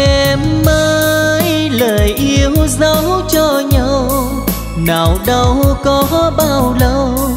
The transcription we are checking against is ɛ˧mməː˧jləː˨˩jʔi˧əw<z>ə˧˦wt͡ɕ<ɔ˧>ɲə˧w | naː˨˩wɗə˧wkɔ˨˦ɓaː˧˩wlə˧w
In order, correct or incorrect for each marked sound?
correct, correct

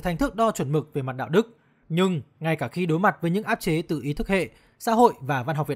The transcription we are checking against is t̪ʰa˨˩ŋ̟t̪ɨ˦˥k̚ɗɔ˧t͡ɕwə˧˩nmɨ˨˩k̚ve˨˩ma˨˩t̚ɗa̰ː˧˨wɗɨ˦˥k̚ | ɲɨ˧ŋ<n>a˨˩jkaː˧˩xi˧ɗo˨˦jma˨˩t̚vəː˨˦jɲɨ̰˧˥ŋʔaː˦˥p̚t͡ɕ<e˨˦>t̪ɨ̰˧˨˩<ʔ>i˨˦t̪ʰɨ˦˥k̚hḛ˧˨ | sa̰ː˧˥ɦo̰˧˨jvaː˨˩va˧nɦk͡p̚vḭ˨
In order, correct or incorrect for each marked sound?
incorrect, correct, correct

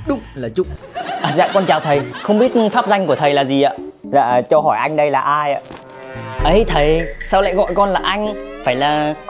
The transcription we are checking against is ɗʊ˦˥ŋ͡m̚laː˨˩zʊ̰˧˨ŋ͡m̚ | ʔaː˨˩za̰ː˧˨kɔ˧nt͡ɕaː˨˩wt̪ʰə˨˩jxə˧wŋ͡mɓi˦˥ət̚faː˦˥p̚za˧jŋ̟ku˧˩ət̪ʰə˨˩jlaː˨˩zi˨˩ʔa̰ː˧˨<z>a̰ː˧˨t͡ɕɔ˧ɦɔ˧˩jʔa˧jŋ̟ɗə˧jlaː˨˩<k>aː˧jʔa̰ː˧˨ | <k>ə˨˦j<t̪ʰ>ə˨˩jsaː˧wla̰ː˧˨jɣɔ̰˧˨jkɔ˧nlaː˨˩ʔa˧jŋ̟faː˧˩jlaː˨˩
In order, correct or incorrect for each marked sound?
correct, incorrect, incorrect, correct

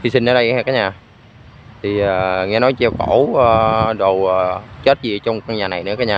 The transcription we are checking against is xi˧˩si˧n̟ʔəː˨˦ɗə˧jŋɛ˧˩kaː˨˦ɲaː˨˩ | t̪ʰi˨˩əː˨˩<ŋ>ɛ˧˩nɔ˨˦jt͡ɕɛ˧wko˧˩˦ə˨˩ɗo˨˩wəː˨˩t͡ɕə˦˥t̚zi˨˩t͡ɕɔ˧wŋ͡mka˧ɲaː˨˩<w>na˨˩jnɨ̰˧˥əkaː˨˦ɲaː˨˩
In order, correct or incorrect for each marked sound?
correct, incorrect

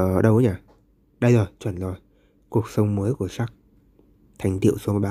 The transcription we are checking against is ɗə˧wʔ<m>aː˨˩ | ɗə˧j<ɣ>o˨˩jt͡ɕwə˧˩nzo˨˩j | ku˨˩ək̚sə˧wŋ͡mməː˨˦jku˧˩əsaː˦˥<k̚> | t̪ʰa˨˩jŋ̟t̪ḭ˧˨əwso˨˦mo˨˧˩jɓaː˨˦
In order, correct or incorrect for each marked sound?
incorrect, incorrect, correct

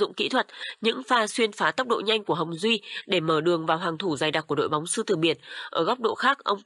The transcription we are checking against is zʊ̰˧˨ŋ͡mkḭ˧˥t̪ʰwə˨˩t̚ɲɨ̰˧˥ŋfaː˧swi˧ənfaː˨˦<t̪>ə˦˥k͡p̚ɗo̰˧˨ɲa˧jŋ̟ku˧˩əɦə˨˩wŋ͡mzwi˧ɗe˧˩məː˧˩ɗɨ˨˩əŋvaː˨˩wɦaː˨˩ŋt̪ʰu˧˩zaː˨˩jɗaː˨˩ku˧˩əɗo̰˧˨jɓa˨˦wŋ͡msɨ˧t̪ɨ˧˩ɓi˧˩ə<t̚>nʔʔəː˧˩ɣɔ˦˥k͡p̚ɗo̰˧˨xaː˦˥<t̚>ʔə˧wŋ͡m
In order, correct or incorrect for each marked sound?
correct, incorrect, incorrect

